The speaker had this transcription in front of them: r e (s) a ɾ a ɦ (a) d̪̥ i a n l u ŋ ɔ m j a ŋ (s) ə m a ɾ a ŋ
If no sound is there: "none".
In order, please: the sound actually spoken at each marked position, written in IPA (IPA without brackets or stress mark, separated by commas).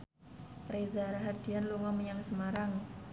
z, a, s